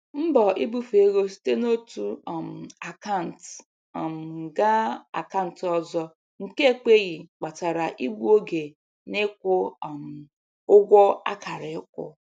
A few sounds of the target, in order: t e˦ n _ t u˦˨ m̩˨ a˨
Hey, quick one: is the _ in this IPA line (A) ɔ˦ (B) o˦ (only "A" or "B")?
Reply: B